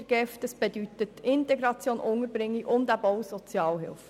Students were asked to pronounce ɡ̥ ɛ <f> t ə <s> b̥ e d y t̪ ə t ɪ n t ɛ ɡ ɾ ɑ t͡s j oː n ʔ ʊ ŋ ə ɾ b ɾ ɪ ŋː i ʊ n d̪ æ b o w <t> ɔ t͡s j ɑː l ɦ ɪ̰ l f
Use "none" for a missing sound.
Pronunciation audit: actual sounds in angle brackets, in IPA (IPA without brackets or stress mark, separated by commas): f, s, s